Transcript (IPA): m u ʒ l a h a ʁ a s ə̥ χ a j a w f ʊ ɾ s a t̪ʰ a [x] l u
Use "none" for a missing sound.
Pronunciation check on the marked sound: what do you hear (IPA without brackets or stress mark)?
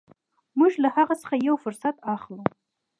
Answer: χ